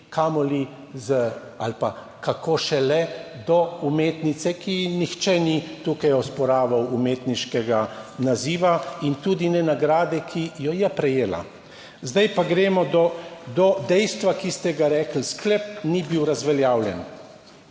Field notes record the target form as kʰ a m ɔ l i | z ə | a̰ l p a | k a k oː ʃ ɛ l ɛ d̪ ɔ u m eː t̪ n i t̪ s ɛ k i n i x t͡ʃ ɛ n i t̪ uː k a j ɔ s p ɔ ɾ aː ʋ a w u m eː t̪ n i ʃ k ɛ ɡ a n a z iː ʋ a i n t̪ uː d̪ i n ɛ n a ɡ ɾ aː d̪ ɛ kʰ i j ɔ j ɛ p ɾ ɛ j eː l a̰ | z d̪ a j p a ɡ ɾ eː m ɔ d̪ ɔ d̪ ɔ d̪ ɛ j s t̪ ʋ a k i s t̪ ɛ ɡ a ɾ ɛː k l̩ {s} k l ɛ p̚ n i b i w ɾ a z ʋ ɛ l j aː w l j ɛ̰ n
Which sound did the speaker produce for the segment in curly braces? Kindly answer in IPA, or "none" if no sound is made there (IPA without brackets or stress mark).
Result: s